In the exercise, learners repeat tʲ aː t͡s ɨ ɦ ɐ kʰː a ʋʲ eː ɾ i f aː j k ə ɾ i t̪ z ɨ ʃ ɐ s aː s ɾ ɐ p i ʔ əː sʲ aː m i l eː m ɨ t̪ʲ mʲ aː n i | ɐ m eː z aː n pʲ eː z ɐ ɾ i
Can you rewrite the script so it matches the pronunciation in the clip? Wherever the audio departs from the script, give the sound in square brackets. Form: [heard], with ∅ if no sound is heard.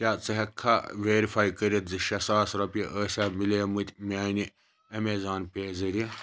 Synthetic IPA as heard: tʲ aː t͡s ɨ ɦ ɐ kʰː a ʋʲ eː ɾ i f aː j k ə ɾ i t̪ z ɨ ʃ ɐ s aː s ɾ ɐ p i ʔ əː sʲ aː m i l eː m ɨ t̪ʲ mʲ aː n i | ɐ m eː z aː n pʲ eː z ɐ ɾ i

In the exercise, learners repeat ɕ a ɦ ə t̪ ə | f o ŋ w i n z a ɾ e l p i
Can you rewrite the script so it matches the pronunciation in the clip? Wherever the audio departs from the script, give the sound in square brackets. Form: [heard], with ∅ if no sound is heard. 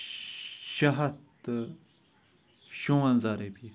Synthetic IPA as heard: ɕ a ɦ [a] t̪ ə | [ɕ] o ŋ w [a] n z a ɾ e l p i

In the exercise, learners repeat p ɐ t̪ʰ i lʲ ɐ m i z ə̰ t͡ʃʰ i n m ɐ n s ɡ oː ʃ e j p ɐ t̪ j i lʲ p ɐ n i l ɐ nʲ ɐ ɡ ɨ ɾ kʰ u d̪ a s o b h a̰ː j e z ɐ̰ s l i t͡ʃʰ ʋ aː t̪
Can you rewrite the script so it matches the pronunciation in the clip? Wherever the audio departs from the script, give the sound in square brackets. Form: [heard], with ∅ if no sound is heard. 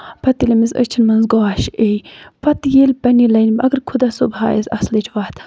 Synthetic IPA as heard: p ɐ [t̪] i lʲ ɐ m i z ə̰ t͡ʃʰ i n m ɐ n [z] ɡ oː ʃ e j p ɐ t̪ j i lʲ p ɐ n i l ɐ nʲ ɐ ɡ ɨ ɾ kʰ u d̪ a s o b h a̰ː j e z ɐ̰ s l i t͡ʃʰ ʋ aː t̪

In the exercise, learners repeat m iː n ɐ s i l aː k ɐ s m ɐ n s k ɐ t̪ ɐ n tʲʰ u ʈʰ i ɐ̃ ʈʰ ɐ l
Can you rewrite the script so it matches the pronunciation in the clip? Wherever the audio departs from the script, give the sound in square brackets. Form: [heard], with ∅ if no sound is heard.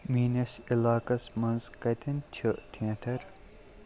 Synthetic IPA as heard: m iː n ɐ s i l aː k ɐ s m ɐ n [z] k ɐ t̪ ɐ n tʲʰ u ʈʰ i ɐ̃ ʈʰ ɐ [ɾ]

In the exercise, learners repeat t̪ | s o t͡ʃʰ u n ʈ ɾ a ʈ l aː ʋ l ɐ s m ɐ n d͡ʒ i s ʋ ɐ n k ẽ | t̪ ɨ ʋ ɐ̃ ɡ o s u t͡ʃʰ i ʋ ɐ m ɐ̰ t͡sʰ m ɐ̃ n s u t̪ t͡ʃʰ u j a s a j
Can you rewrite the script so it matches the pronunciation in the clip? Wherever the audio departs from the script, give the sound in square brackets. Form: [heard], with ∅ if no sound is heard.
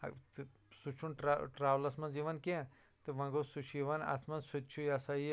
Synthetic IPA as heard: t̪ | s [u] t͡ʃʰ u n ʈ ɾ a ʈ [ɾ] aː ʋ l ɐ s m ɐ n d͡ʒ i [∅] ʋ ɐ n k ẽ | t̪ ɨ ʋ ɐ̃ ɡ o s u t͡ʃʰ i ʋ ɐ [n] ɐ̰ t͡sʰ m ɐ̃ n s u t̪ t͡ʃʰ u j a s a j

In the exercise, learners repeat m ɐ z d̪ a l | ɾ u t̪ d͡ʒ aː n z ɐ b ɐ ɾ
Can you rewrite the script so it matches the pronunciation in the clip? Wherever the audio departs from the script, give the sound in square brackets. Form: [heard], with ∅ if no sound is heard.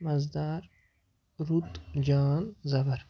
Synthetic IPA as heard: m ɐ z d̪ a [ɾ] | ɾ u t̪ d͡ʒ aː n z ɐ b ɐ ɾ

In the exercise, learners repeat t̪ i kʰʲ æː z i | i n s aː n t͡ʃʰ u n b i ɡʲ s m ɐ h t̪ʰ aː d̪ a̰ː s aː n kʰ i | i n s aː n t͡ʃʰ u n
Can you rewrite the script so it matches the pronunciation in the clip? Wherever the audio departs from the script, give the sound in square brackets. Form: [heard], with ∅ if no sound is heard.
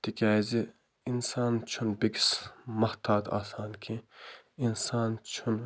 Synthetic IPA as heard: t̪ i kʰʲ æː z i | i n s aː n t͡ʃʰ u n b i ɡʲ s m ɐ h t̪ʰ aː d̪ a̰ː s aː n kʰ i | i n s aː n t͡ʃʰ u n

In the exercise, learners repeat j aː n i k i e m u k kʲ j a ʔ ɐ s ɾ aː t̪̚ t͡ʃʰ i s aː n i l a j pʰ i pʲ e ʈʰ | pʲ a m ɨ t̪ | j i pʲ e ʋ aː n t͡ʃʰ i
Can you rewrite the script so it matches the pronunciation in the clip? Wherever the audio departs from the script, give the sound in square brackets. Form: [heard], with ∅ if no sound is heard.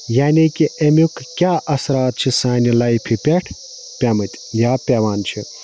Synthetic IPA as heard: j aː n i k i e m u k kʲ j a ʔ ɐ s ɾ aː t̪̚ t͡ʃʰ i s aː n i l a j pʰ i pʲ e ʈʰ | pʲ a m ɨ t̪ | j [a] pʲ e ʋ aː n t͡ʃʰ i

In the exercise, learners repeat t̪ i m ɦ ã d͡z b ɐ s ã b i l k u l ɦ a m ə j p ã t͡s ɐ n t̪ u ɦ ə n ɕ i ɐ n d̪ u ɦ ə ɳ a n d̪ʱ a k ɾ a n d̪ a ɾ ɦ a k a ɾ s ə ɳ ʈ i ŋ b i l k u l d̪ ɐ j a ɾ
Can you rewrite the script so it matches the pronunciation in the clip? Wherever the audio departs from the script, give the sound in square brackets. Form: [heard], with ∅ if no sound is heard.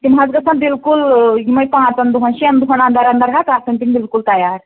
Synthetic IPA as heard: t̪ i m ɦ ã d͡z [ɡ] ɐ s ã b i l k u l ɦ [i] m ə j p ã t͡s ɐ n [d̪] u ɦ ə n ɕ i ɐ n d̪ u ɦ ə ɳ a n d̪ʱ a [∅] ɾ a n d̪ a ɾ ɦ a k a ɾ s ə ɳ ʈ i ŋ b i l k u l [t̪] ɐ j a ɾ

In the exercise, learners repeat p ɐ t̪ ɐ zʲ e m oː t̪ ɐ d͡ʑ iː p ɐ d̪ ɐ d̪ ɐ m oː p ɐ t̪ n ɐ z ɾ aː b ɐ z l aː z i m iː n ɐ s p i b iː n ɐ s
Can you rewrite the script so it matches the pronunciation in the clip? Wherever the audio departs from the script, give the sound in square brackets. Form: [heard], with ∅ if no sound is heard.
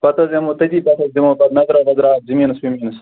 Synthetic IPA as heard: p ɐ t̪ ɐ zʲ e m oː t̪ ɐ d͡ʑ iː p ɐ [t̪] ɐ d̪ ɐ m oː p ɐ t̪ n ɐ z ɾ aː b ɐ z [ɾ] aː z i m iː n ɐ s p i [m] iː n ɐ s

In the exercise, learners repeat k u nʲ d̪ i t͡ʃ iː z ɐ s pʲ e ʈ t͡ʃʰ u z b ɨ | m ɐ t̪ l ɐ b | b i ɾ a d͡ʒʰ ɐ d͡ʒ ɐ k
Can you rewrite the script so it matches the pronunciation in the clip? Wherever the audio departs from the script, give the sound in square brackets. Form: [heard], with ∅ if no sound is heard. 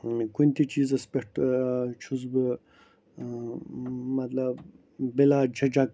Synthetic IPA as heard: k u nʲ [t̪] i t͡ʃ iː z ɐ s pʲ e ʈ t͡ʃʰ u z b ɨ | m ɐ t̪ l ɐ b | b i [l] a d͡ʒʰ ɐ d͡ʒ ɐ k

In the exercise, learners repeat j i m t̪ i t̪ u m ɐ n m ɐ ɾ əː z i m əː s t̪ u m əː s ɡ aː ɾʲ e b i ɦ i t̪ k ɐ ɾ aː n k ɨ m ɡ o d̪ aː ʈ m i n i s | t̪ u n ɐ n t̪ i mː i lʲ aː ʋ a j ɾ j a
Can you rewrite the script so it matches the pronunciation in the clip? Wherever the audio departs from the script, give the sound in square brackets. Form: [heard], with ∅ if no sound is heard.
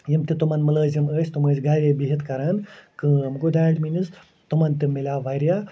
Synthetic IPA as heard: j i m t̪ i t̪ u m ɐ n m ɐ [l] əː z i m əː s t̪ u m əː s ɡ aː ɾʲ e b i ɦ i t̪ k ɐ ɾ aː n k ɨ m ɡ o d̪ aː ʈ m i n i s | t̪ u [m] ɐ n t̪ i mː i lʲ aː ʋ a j ɾ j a

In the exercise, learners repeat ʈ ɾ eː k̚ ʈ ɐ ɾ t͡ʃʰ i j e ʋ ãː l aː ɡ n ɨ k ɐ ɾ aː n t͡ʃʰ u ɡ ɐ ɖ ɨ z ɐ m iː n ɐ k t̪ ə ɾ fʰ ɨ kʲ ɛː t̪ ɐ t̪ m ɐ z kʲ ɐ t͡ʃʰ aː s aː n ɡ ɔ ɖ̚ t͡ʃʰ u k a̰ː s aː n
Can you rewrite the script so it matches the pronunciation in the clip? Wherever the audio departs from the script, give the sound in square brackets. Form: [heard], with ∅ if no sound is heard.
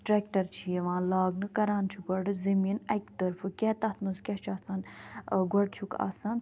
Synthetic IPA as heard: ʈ ɾ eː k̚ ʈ ɐ ɾ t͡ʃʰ i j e ʋ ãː l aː ɡ n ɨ k ɐ ɾ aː n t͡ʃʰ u ɡ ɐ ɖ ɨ z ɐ m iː n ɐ k t̪ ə ɾ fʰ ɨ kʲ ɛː t̪ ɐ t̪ m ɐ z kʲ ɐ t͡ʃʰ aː s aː n ɡ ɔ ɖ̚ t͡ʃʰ u k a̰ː s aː n

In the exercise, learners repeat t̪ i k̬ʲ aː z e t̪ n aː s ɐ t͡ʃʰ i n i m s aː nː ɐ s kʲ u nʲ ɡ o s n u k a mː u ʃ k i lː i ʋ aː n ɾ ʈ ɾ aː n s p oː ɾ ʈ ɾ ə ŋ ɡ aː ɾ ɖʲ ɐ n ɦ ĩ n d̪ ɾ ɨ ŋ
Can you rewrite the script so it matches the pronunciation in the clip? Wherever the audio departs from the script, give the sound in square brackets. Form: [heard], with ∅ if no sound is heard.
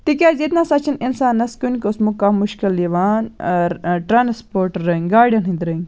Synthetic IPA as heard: t̪ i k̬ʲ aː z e t̪ n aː s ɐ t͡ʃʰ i n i [n] s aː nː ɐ s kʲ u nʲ [k] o s [m] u k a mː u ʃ k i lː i ʋ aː n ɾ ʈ ɾ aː n s p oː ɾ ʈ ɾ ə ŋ ɡ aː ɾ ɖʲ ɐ n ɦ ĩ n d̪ ɾ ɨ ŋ

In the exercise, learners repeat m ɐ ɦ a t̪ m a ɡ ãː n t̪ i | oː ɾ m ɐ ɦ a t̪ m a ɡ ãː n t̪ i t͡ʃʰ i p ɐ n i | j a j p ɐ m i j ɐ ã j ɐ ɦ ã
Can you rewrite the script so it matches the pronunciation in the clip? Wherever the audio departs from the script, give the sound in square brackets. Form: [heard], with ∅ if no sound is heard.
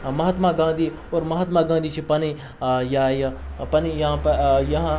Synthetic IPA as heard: m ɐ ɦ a t̪ m a ɡ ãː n [d̪] i | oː ɾ m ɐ ɦ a t̪ m a ɡ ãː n [d̪] i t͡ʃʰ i p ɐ n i | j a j p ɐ [n] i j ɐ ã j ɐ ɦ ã

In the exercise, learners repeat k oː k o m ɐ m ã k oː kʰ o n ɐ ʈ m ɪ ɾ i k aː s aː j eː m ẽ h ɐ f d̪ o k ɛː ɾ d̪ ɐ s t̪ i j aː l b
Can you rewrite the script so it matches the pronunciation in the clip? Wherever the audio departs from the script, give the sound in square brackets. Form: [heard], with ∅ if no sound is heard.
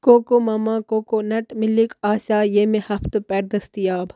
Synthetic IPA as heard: k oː k o m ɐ m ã k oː [k] o n ɐ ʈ m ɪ [l] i k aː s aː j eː m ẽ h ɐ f [t̪] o [p] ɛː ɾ d̪ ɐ s t̪ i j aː [∅] b

